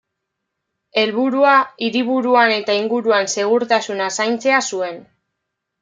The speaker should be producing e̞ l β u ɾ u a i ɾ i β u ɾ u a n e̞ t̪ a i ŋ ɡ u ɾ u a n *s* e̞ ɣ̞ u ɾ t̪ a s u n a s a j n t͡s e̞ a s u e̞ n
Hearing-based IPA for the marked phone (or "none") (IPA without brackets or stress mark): s